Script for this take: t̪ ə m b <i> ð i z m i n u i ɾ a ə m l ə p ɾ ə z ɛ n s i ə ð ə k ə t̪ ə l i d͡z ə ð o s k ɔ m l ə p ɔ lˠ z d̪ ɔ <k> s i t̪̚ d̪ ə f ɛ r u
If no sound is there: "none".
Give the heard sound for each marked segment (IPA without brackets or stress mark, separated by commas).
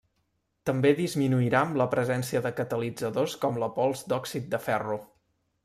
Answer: e, k